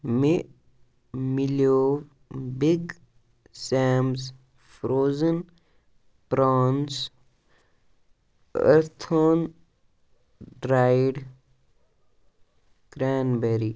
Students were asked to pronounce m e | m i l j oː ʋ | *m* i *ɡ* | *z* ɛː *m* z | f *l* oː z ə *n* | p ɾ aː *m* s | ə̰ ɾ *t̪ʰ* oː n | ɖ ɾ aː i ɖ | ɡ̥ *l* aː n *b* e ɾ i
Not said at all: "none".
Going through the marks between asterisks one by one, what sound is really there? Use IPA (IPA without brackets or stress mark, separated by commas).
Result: b, ɡ, s, m, ɾ, n, n, t̪ʰ, ɾ, b